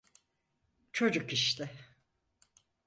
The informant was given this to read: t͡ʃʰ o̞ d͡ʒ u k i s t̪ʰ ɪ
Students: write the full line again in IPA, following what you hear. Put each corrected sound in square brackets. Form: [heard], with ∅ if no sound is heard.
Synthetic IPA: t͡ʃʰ o̞ d͡ʒ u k i [ʃ] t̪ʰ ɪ